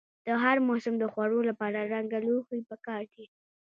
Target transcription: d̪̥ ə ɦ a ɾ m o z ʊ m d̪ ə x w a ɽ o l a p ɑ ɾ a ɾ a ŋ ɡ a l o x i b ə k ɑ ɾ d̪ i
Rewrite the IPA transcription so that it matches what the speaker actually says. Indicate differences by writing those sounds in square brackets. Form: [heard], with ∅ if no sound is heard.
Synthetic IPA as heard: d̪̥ ə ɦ a ɾ m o [s] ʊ m d̪ ə x w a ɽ o l a p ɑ ɾ a ɾ a ŋ ɡ a l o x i [p] ə k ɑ ɾ d̪ i